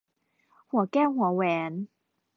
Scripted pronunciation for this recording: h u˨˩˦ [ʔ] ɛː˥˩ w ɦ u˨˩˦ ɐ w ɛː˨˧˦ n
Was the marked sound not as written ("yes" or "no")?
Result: yes